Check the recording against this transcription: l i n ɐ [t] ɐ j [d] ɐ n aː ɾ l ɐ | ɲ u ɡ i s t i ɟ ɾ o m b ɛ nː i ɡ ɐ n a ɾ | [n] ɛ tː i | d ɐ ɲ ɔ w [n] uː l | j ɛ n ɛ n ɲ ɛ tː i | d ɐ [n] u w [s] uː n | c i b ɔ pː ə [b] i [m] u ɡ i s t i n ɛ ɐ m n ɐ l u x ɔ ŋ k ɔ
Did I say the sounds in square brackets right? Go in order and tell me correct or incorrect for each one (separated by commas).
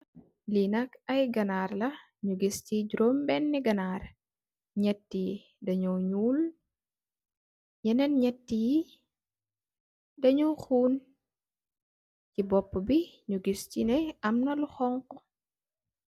incorrect, incorrect, incorrect, incorrect, incorrect, incorrect, correct, incorrect